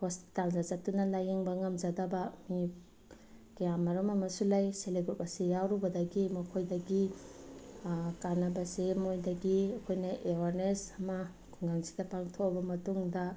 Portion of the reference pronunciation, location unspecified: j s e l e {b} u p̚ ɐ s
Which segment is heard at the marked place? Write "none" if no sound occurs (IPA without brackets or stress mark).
ɡ